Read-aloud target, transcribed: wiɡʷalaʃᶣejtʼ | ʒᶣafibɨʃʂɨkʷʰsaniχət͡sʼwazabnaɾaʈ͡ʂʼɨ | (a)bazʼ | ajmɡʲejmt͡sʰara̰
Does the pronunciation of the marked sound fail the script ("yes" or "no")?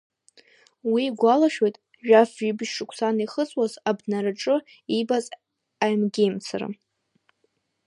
yes